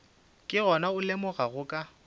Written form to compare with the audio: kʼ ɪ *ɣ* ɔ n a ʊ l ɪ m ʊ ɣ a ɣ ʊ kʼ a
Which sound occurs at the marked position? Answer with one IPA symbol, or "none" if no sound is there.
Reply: ɣ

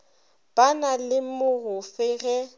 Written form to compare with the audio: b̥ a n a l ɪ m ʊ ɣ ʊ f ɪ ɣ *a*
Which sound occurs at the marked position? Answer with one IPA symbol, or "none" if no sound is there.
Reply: ɛ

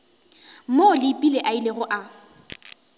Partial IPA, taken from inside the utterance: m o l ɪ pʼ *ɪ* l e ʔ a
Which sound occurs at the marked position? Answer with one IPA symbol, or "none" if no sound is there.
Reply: i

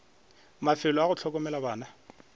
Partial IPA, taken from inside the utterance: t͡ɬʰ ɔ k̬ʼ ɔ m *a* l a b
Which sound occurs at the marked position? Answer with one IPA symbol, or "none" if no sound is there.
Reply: ɛ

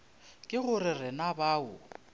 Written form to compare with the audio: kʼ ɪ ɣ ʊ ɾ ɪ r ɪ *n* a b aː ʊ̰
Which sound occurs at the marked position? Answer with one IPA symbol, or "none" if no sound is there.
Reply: n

